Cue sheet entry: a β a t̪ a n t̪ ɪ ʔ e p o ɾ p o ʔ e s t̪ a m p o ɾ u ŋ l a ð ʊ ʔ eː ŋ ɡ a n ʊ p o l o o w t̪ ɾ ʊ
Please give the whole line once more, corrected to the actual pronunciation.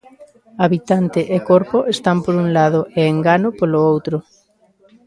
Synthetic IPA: a β i t̪ a n t̪ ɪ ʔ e k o ɾ p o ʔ e s t̪ a m p o ɾ u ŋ l a ð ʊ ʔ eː ŋ ɡ a n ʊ p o l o o w t̪ ɾ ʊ